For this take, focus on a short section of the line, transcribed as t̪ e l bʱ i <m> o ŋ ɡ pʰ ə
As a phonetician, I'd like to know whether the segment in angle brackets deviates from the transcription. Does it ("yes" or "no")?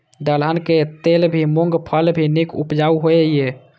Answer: no